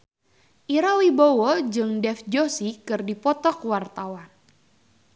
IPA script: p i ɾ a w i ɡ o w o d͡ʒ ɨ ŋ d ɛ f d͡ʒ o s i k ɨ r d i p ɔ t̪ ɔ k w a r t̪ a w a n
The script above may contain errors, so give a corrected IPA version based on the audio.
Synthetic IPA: ʔ i ɾ a w i b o w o d͡ʒ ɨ ŋ d ɛ f d͡ʒ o s i k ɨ r d i p ɔ t̪ ɔ k w a r t̪ a w a n